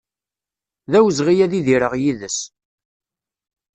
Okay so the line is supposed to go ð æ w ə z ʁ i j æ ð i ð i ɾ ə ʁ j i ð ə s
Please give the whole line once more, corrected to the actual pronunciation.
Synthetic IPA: ð æ w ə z ʁ i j æ ð i ð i ɾ ə ʁ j i ð ə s